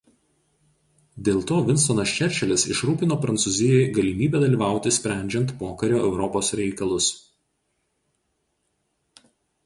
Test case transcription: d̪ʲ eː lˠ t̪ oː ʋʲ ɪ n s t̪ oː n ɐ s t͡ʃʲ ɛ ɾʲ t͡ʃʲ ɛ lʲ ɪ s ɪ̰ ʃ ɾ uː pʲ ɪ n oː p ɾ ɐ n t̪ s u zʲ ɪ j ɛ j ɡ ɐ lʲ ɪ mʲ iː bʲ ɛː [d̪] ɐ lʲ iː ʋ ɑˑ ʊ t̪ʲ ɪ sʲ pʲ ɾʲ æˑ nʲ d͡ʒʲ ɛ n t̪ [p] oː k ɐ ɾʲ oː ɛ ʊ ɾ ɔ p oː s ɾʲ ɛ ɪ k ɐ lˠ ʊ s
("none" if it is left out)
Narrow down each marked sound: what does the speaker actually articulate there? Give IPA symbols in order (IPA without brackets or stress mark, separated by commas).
d̪, p